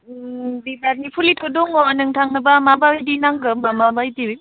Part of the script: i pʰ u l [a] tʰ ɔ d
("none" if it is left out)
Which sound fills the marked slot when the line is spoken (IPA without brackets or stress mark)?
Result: i